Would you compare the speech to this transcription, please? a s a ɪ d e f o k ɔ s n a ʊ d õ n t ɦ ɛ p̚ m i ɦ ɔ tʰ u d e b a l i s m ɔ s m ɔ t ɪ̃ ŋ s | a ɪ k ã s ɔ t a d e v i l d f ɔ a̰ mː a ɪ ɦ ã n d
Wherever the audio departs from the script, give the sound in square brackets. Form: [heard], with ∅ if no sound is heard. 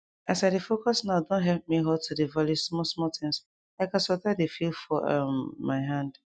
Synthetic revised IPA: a s a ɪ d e f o k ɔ s n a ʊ d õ n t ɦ ɛ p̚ m i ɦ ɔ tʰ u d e [v] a l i s m ɔ s m ɔ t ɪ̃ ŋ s | a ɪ k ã s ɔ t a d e [f] i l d f ɔ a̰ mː a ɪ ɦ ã n d